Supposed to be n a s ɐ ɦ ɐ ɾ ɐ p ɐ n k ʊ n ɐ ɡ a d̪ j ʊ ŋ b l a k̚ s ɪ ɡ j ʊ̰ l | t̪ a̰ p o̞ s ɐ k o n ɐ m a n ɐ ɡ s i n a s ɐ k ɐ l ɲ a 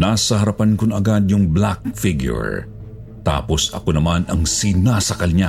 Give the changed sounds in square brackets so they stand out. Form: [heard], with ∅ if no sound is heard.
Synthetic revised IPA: n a s ɐ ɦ ɐ ɾ ɐ p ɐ n k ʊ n ɐ ɡ a d̪ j ʊ ŋ b l a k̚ [f] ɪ ɡ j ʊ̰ [ɹ] | t̪ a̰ p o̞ s ɐ k o n ɐ m a n ɐ [ŋ] s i n a s ɐ k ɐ l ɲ a